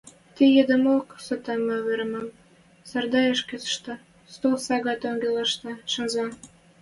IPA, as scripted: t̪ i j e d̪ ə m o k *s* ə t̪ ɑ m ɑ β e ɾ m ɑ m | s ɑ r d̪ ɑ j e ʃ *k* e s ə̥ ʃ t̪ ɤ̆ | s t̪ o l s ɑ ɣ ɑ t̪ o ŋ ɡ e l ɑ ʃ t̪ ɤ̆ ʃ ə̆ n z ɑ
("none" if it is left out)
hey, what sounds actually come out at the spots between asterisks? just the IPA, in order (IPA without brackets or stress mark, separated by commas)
s, k